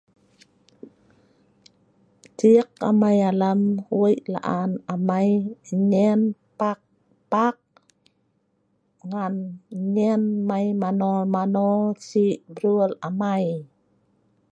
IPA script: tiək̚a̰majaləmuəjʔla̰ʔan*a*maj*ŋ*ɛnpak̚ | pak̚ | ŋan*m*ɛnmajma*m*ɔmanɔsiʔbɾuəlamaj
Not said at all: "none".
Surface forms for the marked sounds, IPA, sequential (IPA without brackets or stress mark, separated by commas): a, ɲ, ɲ, n